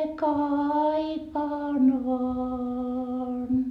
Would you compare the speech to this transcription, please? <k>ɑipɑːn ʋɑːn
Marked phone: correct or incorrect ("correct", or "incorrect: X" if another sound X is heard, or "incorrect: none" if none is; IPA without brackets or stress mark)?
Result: correct